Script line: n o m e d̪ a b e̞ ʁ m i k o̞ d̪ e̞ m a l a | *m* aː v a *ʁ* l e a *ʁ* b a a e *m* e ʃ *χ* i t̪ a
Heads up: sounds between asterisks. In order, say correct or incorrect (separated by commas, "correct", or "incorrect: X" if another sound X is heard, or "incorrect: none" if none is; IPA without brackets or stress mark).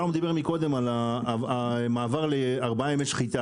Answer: correct, correct, correct, correct, correct